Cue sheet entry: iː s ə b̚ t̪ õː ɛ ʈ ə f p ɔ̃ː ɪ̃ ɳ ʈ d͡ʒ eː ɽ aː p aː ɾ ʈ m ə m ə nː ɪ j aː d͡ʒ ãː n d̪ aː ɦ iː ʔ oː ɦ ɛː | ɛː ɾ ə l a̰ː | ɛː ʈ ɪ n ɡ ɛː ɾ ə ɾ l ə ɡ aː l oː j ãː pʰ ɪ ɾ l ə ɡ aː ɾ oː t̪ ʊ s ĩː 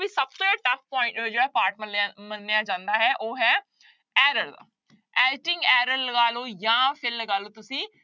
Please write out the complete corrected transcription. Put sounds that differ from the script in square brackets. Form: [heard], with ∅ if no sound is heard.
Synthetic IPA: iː s ə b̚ t̪ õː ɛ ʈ ə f p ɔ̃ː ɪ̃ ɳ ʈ d͡ʒ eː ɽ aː p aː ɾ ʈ m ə m ə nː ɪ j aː d͡ʒ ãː n d̪ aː ɦ [ɛː] ʔ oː ɦ ɛː | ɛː ɾ ə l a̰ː | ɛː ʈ ɪ [ŋ] ɡ ɛː ɾ ə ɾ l ə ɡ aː l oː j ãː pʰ ɪ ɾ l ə ɡ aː [l] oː t̪ ʊ s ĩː